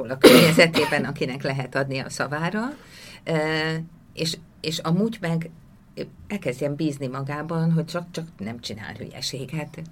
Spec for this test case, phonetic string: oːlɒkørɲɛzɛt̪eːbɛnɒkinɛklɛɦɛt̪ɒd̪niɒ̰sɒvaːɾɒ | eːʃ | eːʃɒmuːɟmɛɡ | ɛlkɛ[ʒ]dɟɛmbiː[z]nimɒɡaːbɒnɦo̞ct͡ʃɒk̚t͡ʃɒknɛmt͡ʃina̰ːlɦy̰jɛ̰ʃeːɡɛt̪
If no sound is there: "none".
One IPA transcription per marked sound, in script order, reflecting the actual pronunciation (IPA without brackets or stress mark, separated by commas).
z, z